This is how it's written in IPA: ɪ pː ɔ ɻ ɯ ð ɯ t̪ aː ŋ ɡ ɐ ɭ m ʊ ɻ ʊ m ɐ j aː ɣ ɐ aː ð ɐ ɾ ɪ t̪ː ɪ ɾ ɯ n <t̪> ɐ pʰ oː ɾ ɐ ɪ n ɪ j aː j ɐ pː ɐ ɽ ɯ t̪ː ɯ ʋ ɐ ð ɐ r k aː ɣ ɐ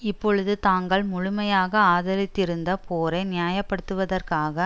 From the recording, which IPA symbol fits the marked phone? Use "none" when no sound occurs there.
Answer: d̪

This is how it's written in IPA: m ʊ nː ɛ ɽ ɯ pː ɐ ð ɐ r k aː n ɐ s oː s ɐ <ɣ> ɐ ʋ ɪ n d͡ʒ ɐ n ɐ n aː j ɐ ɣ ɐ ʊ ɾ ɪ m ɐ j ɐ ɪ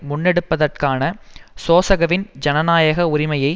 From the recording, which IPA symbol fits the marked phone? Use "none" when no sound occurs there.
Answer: ɣ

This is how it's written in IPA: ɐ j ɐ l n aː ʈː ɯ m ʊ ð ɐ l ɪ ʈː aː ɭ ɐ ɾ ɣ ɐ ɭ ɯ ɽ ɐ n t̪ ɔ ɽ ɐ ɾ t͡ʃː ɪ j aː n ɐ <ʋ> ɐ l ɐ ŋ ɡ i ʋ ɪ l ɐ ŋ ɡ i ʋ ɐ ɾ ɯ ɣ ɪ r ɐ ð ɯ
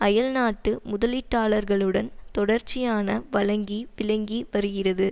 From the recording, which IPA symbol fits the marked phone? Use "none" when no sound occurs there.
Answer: ʋ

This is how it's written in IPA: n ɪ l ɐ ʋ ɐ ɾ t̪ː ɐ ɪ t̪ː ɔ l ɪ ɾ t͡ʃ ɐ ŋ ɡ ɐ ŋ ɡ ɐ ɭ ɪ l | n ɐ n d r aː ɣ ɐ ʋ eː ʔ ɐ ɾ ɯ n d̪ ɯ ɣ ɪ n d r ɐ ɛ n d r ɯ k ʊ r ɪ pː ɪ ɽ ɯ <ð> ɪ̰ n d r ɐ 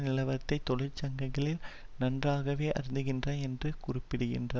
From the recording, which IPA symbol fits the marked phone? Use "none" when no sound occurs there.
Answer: ɣ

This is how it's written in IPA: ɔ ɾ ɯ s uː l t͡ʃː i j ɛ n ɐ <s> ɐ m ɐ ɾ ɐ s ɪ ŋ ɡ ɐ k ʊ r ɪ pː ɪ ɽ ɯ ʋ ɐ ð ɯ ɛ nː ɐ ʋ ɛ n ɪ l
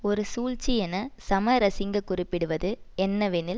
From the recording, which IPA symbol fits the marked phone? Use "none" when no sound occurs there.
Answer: s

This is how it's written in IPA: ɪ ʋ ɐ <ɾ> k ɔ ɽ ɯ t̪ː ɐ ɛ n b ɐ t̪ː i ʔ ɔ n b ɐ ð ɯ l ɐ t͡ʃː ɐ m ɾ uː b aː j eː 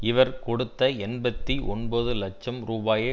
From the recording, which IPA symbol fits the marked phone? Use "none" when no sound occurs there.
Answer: ɾ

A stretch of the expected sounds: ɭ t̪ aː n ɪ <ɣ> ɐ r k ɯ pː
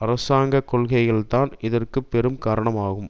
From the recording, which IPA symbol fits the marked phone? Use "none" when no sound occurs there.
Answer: ð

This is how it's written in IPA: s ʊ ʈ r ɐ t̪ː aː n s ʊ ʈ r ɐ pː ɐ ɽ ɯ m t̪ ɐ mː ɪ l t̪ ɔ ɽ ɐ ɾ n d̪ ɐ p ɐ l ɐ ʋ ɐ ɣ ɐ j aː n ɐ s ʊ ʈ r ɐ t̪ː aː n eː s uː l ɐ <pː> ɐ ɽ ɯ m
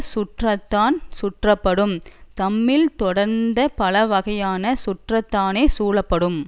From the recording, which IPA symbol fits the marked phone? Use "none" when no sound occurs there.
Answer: pː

